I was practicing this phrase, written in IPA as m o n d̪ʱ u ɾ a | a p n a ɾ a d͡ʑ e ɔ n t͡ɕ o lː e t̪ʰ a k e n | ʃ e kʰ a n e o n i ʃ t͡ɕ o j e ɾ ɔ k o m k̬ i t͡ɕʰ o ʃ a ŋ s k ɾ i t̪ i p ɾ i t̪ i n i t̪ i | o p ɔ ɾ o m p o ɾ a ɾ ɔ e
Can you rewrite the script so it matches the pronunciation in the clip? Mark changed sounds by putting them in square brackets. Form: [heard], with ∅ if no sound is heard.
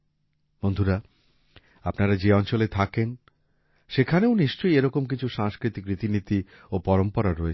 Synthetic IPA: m o n d̪ʱ u ɾ a | a p n a ɾ a d͡ʑ e ɔ n t͡ɕ o [l] e t̪ʰ a k e n | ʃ e kʰ a n e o n i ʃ t͡ɕ o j e ɾ ɔ k o m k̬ i t͡ɕʰ [u] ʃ a ŋ s k ɾ i t̪ i [k] ɾ i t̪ i n i t̪ i | o p ɔ ɾ o m p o ɾ a ɾ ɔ e